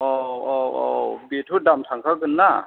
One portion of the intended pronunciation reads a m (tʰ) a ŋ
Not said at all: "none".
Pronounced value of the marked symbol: tʰ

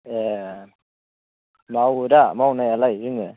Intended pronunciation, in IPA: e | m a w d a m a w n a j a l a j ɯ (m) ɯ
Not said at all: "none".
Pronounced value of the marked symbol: ŋ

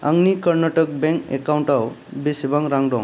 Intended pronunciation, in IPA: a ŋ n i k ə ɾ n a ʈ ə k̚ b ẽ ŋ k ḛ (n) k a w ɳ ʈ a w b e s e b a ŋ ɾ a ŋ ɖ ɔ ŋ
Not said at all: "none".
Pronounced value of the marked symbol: none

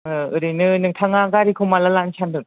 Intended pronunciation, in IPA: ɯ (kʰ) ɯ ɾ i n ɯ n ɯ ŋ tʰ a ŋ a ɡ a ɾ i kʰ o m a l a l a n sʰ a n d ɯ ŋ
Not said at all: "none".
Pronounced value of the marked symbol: none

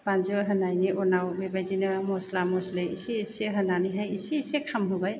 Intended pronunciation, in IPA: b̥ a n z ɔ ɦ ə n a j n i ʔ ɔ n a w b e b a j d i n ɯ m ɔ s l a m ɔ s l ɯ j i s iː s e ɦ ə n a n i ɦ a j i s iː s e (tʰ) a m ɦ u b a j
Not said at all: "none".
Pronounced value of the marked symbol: kʰ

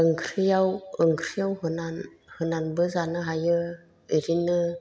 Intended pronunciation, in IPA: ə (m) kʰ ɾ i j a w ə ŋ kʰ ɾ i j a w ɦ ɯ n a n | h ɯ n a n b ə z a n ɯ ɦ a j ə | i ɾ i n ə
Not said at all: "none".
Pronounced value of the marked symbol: ŋ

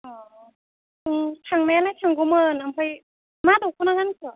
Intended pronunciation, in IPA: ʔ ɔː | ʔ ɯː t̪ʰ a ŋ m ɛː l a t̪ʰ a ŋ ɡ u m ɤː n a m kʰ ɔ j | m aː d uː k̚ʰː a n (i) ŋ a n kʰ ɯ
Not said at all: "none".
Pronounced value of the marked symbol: a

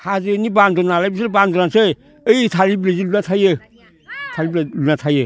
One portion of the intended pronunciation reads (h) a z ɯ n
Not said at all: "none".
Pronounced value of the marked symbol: h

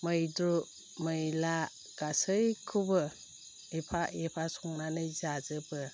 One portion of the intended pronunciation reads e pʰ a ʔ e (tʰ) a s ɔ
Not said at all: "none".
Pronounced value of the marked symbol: pʰ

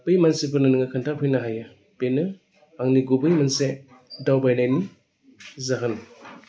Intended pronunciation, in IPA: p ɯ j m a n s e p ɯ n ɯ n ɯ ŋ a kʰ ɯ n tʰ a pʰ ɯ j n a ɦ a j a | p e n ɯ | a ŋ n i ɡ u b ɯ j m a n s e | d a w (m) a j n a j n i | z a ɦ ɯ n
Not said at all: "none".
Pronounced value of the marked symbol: b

